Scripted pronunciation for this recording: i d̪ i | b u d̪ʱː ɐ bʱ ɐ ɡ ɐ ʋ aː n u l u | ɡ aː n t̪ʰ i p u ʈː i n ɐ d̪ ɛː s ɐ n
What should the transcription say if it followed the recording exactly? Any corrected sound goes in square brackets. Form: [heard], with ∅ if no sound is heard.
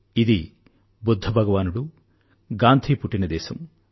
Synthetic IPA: i d̪ i | b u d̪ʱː ɐ bʱ ɐ ɡ ɐ ʋ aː n u [ɽ] u | ɡ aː n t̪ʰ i p u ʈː i n ɐ d̪ ɛː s ɐ [m]